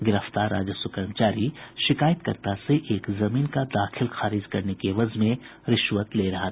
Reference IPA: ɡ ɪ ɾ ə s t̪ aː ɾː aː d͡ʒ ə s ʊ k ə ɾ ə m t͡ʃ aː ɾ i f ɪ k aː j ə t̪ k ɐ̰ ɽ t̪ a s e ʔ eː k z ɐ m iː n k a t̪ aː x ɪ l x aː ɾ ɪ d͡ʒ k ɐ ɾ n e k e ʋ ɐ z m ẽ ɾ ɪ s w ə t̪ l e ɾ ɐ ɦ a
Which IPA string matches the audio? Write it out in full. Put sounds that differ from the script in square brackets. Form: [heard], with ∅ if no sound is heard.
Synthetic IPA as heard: ɡ ɪ ɾ ə [f] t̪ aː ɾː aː d͡ʒ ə s ʊ k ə ɾ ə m t͡ʃ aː ɾ i [ʃ] ɪ k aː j ə t̪ k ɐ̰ [ɾ] t̪ a s e ʔ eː k z ɐ m iː n k a [d̪] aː x ɪ l x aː ɾ ɪ d͡ʒ k ɐ ɾ n e k e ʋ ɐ z m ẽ ɾ ɪ [ʃ] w ə t̪ l e ɾ ɐ ɦ a

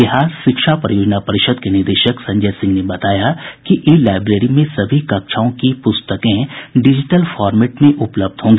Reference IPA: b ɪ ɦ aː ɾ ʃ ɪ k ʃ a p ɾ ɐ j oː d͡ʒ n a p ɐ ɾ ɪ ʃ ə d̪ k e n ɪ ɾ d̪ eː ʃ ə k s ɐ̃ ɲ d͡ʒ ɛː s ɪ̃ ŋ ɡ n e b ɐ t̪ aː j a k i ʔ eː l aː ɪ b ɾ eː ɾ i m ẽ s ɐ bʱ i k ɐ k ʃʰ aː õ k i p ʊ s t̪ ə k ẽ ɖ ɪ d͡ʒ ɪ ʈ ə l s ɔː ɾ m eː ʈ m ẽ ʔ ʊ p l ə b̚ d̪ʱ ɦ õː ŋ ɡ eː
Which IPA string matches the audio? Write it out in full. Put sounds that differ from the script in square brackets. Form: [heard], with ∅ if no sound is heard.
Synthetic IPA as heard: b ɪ ɦ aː ɾ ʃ ɪ k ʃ a p ɾ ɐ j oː d͡ʒ n a p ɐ ɾ ɪ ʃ ə d̪ k e n ɪ ɾ d̪ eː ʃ ə k s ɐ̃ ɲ d͡ʒ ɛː s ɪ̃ ŋ ɡ n e b ɐ t̪ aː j a k i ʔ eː l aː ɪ b ɾ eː ɾ i m ẽ s ɐ bʱ i k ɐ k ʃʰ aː õ k i p ʊ s t̪ ə k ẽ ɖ ɪ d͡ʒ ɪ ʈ ə l [f] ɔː ɾ m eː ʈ m ẽ ʔ ʊ p l ə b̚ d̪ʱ ɦ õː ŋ ɡ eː

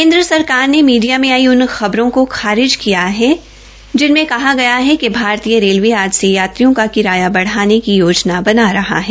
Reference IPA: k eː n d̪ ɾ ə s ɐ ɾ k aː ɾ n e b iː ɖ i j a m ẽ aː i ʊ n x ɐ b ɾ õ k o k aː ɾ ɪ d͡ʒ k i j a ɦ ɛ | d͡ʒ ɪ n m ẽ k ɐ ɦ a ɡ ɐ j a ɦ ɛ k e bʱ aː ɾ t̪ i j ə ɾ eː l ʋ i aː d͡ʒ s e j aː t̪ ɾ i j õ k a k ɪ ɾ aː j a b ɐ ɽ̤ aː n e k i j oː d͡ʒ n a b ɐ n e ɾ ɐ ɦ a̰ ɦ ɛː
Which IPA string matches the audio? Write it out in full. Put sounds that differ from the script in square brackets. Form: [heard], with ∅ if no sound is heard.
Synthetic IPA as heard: k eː n d̪ ɾ ə s ɐ ɾ k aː ɾ n e [m] iː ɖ i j a m ẽ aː i ʊ n x ɐ b ɾ õ k o [x] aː ɾ ɪ d͡ʒ k i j a ɦ ɛ | d͡ʒ ɪ n m ẽ k ɐ ɦ a ɡ ɐ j a ɦ ɛ k e bʱ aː ɾ t̪ i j ə ɾ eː l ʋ i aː d͡ʒ s e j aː t̪ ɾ i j õ k a k ɪ ɾ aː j a b ɐ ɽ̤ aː n e k i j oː d͡ʒ n a b ɐ n [a] ɾ ɐ ɦ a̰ ɦ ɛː

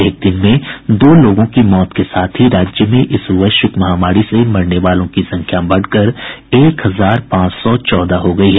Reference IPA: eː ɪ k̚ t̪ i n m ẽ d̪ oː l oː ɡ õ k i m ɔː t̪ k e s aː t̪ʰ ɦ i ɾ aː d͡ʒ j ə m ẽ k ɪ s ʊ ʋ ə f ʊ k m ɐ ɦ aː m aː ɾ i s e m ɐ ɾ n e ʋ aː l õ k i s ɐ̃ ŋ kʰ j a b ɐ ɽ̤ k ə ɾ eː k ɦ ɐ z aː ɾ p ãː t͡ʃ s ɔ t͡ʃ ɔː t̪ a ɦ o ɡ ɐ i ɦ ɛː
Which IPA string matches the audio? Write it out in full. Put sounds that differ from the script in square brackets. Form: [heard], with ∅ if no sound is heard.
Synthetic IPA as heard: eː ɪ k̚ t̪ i n m ẽ d̪ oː l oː ɡ õ k i m ɔː t̪ k e s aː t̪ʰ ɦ i ɾ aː d͡ʒ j ə m ẽ [ʔ] ɪ s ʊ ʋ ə [ʃ] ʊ k m ɐ ɦ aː m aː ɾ i s e m ɐ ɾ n e ʋ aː l õ k i s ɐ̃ ŋ kʰ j a b ɐ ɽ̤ k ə ɾ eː k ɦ ɐ z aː ɾ p ãː t͡ʃ s ɔ t͡ʃ ɔː [d̪] a ɦ o ɡ ɐ i ɦ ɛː

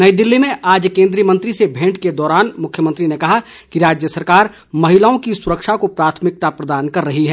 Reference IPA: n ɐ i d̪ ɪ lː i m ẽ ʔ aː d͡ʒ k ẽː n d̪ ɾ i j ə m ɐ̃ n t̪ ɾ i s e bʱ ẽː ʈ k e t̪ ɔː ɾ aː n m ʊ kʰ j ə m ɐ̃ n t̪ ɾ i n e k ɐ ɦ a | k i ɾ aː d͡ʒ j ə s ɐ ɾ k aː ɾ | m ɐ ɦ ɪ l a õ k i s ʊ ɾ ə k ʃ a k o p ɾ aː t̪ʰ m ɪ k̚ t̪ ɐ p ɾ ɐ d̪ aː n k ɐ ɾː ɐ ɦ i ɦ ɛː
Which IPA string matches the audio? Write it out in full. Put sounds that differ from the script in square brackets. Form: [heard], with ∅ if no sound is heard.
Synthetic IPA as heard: n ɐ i d̪ ɪ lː i m ẽ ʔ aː d͡ʒ k ẽː n d̪ ɾ i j ə m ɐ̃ n t̪ ɾ i s e bʱ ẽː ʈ k e [d̪] ɔː ɾ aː n m ʊ kʰ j ə m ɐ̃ n t̪ ɾ i n e k ɐ ɦ a | k i ɾ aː d͡ʒ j ə s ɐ ɾ k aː ɾ | m ɐ ɦ ɪ l a õ k i s ʊ ɾ ə k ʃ a k o p ɾ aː t̪ʰ m ɪ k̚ t̪ [a] p ɾ ɐ d̪ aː n k ɐ ɾː ɐ ɦ i ɦ ɛː

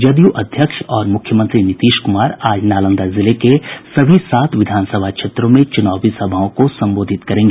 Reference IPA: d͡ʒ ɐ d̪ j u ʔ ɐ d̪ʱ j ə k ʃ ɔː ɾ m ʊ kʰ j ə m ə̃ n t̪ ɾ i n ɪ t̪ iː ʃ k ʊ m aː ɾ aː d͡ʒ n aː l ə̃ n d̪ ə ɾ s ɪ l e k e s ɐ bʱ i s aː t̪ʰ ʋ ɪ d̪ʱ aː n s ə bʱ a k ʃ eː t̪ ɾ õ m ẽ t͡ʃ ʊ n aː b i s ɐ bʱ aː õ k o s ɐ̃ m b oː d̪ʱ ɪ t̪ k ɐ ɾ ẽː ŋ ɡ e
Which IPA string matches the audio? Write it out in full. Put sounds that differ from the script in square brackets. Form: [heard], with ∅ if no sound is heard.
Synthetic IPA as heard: d͡ʒ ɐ d̪ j u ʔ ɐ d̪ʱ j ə k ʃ ɔː ɾ m ʊ kʰ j ə m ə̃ n t̪ ɾ i n ɪ t̪ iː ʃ k ʊ m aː ɾ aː d͡ʒ n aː l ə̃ n d̪ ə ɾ [z] ɪ l e k e s ɐ bʱ i s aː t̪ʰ ʋ ɪ d̪ʱ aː n s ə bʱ a k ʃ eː t̪ ɾ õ m ẽ t͡ʃ ʊ n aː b i s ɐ bʱ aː õ k o s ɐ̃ m b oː d̪ʱ ɪ t̪ k ɐ ɾ ẽː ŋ ɡ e

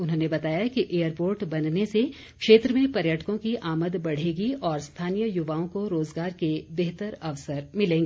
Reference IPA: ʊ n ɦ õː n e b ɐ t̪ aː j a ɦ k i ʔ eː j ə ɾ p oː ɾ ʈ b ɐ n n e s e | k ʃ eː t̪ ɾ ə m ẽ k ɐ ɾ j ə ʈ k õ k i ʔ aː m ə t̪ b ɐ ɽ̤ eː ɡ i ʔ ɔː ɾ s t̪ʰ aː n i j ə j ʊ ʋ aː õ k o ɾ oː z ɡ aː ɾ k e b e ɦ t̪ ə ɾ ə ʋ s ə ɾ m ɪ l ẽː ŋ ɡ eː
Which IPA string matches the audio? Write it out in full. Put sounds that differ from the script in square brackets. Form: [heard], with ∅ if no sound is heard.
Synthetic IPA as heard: ʊ n ɦ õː n e b ɐ t̪ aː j a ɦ k i ʔ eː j ə ɾ p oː ɾ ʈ b ɐ n n e s e | k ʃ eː t̪ ɾ ə m ẽ [p] ɐ ɾ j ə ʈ k õ k i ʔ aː m ə [d̪] b ɐ ɽ̤ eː ɡ i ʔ ɔː ɾ s t̪ʰ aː n i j ə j ʊ ʋ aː õ k o ɾ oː z ɡ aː ɾ k e b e ɦ t̪ ə ɾ [ɐ] ʋ s ə ɾ m ɪ l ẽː ŋ ɡ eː

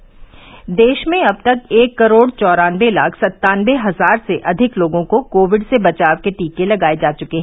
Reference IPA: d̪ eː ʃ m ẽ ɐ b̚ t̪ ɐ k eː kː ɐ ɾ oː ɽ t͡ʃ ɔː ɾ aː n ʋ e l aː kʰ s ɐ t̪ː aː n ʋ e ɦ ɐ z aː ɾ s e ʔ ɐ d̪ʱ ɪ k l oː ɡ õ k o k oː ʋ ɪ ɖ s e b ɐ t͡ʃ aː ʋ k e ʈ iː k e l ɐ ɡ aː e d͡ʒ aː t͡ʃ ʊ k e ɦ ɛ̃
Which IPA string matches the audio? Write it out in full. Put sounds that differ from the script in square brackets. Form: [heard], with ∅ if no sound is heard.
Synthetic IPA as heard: d̪ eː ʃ m ẽ ɐ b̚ t̪ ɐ k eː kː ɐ ɾ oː ɽ t͡ʃ ɔː ɾ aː n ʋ e l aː kʰ s ɐ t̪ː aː n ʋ e ɦ ɐ z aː ɾ s e ʔ ɐ d̪ʱ ɪ k l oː ɡ õ k o k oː ʋ ɪ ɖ s e b ɐ t͡ʃ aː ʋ k e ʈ iː k e l ɐ ɡ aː e d͡ʒ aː t͡ʃ ʊ k e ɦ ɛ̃

